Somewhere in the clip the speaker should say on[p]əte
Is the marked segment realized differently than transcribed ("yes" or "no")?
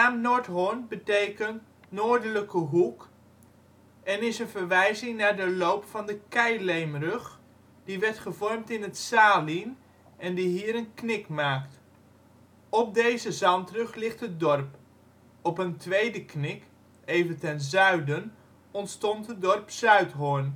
yes